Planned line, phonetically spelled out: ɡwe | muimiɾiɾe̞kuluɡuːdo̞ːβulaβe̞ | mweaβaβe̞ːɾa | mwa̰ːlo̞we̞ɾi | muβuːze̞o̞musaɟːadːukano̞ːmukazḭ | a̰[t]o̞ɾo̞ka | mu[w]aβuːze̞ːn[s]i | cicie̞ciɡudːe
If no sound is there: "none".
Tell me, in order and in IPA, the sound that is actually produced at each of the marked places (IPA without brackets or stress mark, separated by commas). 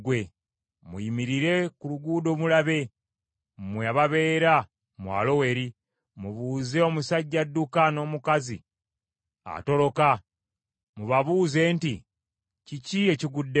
t, β, t